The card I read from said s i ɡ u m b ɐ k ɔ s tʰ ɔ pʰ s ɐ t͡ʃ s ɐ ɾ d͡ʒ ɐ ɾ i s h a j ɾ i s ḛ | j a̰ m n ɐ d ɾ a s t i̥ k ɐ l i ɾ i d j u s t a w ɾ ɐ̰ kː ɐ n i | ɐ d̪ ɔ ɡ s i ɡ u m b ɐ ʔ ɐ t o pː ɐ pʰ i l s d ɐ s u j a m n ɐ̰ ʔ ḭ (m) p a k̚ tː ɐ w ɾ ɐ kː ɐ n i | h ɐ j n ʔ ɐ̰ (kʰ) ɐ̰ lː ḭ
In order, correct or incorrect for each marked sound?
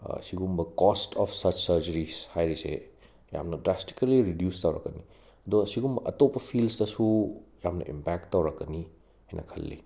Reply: correct, correct

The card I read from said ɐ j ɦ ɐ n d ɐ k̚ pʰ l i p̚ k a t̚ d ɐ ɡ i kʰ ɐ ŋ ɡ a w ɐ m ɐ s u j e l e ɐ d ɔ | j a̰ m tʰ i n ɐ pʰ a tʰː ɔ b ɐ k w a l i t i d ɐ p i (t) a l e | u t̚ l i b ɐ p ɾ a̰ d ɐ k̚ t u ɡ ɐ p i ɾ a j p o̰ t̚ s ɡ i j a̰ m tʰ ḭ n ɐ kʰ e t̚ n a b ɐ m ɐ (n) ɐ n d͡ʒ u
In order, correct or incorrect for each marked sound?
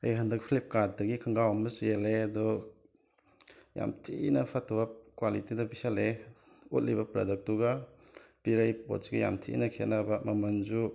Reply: incorrect: s, incorrect: m

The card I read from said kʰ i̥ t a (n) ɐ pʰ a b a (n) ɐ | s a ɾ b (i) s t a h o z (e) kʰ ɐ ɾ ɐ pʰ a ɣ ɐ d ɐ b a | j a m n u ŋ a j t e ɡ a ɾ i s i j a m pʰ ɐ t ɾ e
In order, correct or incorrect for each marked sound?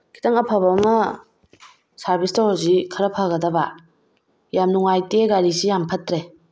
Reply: incorrect: ŋ, incorrect: m, correct, incorrect: i

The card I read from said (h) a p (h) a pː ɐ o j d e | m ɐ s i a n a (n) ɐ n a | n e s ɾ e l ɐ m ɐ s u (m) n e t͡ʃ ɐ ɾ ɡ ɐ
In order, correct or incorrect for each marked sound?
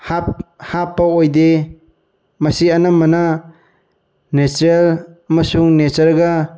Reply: correct, correct, incorrect: m, incorrect: ŋ

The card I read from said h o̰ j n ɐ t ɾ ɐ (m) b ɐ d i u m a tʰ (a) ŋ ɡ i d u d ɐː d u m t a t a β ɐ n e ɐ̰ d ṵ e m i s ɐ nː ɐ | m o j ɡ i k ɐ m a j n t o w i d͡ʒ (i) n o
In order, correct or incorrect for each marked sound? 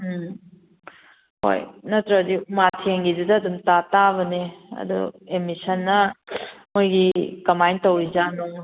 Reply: incorrect: none, incorrect: e, incorrect: a

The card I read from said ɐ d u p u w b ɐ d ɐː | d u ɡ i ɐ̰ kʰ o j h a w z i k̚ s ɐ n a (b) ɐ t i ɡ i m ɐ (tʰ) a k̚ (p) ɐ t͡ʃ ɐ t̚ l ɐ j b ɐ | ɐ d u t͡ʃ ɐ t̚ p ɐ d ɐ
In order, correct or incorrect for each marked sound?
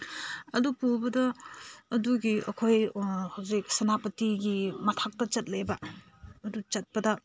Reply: incorrect: p, correct, incorrect: t

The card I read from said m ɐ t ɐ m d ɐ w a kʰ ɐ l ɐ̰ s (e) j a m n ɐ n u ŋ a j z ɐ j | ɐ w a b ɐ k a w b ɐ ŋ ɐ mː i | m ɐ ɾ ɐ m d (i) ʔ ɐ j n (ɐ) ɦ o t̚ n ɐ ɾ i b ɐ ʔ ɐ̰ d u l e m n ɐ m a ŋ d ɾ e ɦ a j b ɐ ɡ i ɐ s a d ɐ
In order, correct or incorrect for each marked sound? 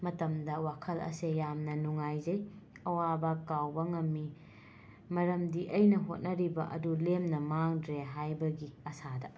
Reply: correct, correct, correct

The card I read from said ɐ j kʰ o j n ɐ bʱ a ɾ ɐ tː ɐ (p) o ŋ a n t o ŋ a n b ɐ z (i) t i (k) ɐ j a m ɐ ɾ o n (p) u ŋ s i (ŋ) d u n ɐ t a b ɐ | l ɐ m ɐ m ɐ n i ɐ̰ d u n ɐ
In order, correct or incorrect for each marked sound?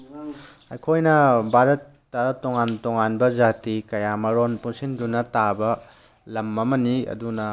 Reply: incorrect: t, incorrect: a, correct, correct, incorrect: n

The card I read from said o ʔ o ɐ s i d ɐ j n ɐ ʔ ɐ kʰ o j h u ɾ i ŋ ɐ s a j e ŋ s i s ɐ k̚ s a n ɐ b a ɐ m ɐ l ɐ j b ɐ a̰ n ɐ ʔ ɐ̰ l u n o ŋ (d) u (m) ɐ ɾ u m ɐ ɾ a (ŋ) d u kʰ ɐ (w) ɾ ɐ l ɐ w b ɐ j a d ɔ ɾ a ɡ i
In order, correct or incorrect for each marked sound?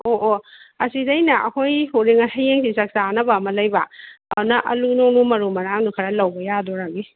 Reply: incorrect: n, correct, correct, incorrect: none

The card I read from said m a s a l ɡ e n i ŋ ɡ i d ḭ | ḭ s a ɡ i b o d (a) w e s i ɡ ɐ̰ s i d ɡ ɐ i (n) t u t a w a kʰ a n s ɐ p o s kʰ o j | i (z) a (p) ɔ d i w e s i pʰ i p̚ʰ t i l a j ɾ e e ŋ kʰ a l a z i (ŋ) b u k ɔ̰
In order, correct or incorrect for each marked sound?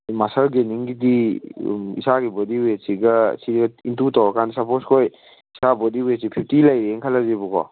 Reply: incorrect: i, correct, incorrect: s, incorrect: b, incorrect: none

